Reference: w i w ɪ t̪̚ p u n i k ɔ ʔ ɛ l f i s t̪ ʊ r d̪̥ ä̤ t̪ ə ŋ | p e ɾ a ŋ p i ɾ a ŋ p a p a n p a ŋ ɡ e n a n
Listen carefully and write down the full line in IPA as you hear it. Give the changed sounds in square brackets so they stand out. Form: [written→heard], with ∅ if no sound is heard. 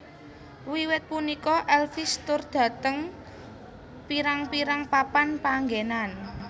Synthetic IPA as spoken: w i w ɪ t̪̚ p u n i k ɔ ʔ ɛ l f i s t̪ ʊ r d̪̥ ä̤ t̪ ə ŋ | p [e→i] ɾ a ŋ p i ɾ a ŋ p a p a n p a ŋ ɡ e n a n